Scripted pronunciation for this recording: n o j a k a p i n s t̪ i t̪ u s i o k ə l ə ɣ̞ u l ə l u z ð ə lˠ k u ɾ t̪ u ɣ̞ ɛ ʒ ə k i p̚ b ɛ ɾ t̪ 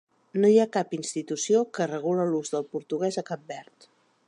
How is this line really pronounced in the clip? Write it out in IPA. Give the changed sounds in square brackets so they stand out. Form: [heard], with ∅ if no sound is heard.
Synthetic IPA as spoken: n o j a k a p i n s t̪ i t̪ u s i o k ə [r] ə ɣ̞ u l ə l u z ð ə lˠ [p] u ɾ t̪ u ɣ̞ ɛ [z] ə k [a] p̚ b ɛ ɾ t̪